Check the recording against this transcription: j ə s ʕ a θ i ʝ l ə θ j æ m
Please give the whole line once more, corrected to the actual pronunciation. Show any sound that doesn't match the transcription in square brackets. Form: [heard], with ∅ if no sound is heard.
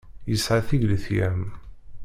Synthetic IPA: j ə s ʕ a θ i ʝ l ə θ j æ m